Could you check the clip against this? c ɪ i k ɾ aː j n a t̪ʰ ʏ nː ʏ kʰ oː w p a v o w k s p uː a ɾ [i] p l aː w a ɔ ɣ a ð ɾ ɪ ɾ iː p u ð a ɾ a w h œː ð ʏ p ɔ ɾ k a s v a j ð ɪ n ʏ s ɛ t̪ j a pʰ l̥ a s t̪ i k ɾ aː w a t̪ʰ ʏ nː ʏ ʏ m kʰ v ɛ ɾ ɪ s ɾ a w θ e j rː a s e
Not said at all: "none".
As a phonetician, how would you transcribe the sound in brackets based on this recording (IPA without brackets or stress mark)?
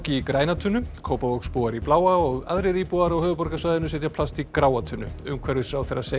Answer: i